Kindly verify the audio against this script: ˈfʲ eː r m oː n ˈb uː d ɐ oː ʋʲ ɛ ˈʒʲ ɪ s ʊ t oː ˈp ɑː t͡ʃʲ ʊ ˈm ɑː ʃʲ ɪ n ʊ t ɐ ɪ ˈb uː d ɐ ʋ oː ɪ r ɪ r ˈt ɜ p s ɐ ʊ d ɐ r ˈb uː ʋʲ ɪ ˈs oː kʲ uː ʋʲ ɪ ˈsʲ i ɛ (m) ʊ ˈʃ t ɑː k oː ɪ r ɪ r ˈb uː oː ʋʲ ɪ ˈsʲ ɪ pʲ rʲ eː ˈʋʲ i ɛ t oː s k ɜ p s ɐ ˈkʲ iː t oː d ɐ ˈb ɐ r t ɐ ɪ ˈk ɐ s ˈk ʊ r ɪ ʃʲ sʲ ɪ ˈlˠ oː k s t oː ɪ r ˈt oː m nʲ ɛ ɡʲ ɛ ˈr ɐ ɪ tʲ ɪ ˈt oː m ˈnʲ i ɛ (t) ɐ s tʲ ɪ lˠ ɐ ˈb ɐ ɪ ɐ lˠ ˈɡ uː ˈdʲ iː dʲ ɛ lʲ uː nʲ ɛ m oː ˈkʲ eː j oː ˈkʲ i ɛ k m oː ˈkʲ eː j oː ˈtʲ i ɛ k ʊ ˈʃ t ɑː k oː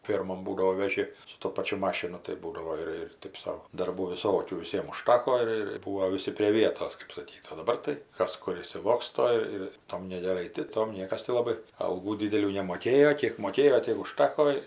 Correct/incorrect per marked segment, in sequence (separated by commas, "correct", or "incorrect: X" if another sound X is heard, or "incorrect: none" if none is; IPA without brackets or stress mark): correct, incorrect: k